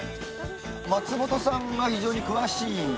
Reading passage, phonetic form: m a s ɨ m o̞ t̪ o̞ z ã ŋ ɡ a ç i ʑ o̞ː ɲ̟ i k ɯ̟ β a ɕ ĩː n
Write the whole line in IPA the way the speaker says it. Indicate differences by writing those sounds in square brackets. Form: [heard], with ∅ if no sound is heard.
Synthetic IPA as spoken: m a [t͡s] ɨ m o̞ t̪ o̞ [s] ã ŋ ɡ a ç i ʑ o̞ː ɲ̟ i k ɯ̟ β a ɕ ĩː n